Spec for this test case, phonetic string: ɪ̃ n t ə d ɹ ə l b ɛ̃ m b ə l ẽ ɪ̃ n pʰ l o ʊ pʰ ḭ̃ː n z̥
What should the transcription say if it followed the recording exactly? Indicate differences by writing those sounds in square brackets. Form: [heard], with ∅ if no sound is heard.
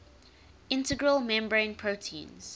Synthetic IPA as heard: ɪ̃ n t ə [ɡ] ɹ ə l [m] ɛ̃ m b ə [ɹ] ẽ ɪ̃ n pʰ [ɹ] o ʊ [tʰ] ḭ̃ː n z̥